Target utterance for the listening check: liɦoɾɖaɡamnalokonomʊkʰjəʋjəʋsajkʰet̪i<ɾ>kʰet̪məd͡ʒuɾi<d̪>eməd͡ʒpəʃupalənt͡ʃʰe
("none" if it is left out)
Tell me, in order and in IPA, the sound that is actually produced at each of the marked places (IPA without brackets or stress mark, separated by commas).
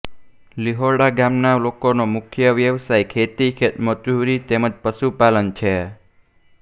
none, t̪